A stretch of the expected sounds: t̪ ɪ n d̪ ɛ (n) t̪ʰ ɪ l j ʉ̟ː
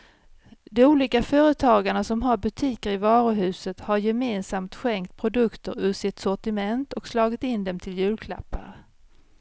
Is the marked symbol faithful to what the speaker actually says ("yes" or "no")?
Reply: no